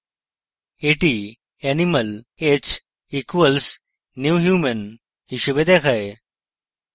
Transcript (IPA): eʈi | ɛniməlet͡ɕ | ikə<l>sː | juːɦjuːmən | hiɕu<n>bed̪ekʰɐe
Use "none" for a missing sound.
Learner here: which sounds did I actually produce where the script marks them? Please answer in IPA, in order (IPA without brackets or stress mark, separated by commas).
l, none